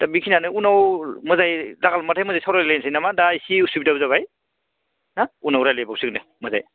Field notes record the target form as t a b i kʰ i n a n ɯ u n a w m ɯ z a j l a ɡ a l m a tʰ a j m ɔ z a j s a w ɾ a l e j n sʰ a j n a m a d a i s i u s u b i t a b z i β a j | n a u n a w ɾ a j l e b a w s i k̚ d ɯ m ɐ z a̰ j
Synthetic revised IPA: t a b i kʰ i n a n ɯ u n a w m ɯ z a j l a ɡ a l m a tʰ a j m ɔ z a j s a w ɾ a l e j n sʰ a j n a m a d a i s i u s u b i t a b z a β a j | n a u n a w ɾ a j l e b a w s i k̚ n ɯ m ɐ z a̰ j

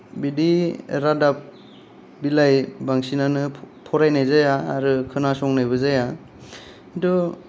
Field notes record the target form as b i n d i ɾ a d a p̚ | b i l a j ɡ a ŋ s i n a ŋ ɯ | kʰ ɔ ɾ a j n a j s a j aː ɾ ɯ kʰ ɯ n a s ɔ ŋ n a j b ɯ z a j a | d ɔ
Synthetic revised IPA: b i d i ɾ a d a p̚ | b i l a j b a ŋ s i n a n ɯ | pʰ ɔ ɾ a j n a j z a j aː ɾ ɯ kʰ ɯ n a s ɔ ŋ n a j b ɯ z a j a | d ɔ

